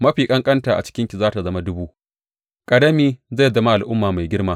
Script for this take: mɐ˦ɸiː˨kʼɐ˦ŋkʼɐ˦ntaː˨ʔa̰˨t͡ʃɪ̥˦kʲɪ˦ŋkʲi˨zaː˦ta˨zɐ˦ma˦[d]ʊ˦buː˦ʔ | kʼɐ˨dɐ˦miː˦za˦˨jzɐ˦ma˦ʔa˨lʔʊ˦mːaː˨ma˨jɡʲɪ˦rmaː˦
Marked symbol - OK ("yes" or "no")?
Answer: yes